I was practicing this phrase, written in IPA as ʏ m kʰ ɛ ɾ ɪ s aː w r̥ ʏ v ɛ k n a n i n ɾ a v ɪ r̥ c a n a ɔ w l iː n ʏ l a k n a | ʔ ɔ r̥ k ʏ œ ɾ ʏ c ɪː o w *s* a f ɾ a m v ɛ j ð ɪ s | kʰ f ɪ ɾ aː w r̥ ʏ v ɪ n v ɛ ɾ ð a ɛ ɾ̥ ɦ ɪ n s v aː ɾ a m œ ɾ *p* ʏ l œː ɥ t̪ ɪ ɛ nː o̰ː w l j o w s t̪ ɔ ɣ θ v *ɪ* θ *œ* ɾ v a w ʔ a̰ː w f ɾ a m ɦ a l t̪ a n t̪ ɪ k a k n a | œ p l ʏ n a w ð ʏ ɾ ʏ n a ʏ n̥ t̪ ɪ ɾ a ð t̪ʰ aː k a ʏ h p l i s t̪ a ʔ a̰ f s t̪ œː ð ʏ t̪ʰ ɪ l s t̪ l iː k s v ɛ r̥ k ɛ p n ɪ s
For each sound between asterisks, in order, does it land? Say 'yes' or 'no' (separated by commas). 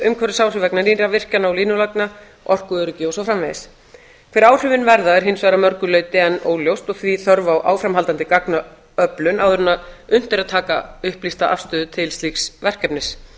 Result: yes, no, no, yes